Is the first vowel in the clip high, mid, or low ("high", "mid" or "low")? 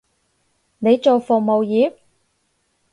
mid